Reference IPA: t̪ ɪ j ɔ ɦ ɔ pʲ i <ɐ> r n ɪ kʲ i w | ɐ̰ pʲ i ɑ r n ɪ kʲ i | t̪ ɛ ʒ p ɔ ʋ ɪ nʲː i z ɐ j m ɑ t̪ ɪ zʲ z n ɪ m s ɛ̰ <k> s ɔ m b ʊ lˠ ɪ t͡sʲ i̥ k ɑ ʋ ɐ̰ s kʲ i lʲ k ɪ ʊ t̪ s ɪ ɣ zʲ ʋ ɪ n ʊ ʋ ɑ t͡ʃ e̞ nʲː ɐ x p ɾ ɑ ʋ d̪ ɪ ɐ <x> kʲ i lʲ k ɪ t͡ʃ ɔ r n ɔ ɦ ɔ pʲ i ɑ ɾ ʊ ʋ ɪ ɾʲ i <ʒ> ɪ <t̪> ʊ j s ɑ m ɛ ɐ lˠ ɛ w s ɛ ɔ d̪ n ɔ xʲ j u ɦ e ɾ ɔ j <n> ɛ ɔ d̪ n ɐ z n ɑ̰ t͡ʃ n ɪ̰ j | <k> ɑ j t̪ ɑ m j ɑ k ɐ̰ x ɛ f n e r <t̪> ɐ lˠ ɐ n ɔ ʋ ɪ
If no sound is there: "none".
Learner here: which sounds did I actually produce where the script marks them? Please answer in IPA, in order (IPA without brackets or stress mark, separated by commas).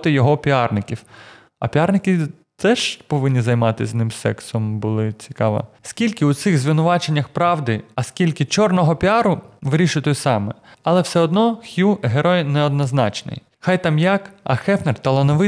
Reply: ɑ, k, s, ʃ, t̪, n, x, t̪